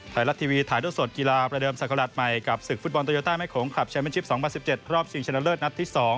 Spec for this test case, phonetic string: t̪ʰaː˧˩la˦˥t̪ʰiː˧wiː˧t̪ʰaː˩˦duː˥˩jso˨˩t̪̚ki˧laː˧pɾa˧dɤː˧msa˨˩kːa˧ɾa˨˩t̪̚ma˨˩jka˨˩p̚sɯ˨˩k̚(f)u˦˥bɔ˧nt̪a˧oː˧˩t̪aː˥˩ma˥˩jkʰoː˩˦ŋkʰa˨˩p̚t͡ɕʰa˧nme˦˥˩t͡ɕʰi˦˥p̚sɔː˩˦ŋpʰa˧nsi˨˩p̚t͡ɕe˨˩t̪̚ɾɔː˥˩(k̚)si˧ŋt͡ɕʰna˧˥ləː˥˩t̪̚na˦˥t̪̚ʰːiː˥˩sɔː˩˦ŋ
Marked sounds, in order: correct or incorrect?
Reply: correct, incorrect

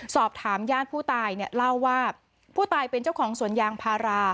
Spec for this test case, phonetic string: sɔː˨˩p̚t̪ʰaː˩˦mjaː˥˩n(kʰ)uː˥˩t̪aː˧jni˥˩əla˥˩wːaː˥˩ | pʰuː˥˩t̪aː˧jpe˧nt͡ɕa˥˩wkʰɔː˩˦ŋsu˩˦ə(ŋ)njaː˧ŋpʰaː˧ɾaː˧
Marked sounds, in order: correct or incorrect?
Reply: incorrect, incorrect

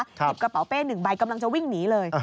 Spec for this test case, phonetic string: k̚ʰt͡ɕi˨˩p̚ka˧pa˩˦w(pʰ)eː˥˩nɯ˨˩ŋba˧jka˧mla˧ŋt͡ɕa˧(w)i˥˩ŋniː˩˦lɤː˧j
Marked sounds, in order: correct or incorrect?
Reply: incorrect, correct

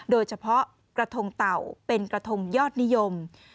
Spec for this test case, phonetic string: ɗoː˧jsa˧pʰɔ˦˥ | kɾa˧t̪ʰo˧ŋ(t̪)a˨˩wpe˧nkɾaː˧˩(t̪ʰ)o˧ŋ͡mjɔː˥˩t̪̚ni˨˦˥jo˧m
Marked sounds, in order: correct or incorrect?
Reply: correct, correct

